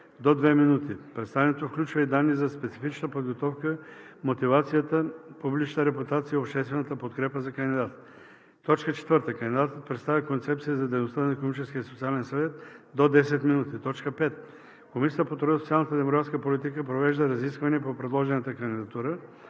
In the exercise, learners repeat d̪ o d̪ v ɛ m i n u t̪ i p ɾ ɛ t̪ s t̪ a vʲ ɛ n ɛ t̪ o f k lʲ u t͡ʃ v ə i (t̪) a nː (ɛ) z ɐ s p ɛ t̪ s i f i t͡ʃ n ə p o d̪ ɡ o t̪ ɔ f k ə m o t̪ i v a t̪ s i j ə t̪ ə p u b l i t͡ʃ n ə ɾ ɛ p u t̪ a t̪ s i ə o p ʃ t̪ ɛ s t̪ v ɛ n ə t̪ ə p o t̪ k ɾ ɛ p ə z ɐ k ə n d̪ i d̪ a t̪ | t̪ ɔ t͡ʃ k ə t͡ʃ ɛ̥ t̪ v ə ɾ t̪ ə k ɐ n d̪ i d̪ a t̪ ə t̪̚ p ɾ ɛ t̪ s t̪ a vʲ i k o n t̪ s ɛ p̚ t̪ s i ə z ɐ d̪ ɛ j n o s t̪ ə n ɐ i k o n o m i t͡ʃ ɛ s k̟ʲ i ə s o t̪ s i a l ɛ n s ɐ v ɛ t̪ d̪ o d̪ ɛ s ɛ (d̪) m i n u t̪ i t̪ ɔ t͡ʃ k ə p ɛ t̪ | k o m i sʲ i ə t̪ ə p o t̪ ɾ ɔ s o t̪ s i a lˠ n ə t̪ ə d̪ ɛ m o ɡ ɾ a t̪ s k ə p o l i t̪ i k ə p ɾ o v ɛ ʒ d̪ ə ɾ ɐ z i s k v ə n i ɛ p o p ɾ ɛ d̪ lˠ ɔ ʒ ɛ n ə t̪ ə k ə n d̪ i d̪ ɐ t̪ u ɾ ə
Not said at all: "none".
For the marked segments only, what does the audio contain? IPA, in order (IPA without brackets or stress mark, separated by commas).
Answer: d̪, i, t̪